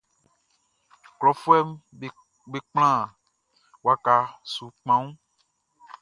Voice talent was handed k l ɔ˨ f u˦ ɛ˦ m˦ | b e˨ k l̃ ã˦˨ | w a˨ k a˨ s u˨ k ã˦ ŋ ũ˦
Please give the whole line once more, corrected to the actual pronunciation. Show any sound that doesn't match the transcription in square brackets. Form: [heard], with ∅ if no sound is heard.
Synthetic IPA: k l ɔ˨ f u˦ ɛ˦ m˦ | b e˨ [k͡p] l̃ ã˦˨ | w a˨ k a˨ s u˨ [k͡p] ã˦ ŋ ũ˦